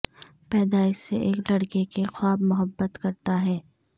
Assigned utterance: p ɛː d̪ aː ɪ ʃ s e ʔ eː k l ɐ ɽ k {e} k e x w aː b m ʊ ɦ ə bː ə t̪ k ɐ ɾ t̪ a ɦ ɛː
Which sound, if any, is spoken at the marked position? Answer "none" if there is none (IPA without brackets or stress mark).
e